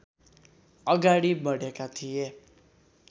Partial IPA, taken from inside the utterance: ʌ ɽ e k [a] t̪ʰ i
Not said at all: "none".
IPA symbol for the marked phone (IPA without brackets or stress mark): a